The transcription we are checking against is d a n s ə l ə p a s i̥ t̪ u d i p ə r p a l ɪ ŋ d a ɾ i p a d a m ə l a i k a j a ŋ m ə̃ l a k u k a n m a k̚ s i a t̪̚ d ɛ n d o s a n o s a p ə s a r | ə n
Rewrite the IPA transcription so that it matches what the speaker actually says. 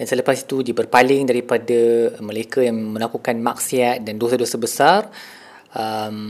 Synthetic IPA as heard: d a n s ə l ə p a s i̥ t̪ u d i b ə r p a l ɪ ŋ d a ɾ i p a d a m ə l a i k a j a ŋ m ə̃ l a k u k a n m a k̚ s i a t̪̚ d a n d o s a d o s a b ə s a r | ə m